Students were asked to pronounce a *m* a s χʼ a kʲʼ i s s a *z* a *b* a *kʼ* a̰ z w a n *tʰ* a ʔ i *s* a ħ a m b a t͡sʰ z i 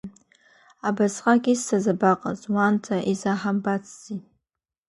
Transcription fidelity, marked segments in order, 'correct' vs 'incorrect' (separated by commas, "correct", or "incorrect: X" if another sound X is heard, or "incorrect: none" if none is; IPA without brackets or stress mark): incorrect: b, correct, correct, incorrect: qʼ, correct, incorrect: z